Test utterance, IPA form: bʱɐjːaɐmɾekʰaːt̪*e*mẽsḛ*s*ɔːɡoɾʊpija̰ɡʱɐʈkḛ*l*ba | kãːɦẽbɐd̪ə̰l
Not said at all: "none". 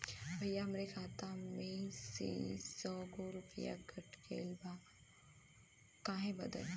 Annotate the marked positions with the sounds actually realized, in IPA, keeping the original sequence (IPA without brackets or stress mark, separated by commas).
a, s, l